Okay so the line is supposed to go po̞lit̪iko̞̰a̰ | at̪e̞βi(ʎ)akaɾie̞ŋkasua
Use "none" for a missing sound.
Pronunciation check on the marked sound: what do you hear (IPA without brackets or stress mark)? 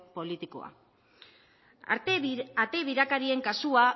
ɾ